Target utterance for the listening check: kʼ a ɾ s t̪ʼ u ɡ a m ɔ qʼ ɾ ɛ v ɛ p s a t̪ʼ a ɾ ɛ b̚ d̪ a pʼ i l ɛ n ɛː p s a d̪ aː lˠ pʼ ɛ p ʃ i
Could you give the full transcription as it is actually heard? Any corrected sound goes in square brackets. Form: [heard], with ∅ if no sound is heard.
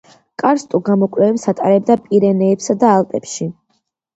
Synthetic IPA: kʼ a ɾ s t̪ʼ u ɡ a m ɔ [kʼ] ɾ ɛ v ɛ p s a t̪ʼ a ɾ ɛ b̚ d̪ a pʼ i [ɾ] ɛ n ɛː p s a d̪ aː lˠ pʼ ɛ p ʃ i